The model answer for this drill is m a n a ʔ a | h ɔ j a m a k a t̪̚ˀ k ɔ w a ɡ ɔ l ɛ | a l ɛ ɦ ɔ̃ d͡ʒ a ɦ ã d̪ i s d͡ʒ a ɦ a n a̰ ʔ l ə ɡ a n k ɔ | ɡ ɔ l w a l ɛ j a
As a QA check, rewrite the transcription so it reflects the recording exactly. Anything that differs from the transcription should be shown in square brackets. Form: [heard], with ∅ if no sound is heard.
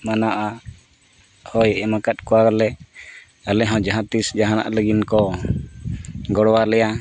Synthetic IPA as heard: m a n a ʔ a | h ɔ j [ɛ] m a k a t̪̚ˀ k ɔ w a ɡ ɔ l ɛ | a l ɛ ɦ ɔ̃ d͡ʒ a ɦ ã [t̪] i s d͡ʒ a ɦ a n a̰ ʔ l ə ɡ [i] n k ɔ | ɡ ɔ [ɽ] w a l ɛ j a